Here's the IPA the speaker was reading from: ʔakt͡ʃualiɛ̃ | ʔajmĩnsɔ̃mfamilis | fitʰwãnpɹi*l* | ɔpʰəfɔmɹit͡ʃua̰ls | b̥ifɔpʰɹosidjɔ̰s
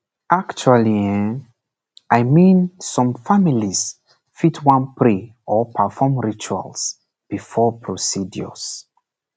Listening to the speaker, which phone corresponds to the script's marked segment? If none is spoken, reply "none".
none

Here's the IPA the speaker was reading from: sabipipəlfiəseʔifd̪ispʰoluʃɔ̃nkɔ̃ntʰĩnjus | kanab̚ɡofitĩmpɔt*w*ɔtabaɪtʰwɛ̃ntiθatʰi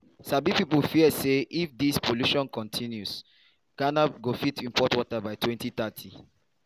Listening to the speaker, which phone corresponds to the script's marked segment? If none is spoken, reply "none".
w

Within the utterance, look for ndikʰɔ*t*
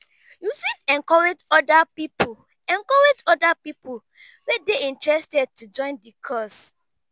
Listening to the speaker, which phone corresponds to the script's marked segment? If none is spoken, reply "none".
s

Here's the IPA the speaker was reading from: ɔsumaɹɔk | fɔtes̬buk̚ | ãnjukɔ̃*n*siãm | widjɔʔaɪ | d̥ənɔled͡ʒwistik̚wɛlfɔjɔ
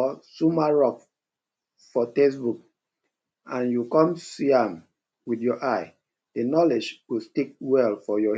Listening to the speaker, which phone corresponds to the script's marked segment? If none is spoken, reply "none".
m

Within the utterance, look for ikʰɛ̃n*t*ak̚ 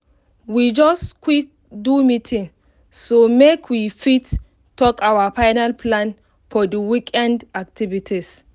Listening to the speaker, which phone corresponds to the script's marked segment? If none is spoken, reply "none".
d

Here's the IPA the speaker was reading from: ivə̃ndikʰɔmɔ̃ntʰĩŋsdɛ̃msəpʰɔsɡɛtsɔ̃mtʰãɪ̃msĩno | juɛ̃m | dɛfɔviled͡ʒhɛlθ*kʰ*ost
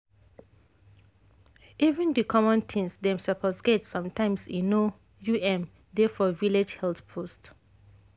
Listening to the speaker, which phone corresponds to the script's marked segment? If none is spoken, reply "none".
pʰ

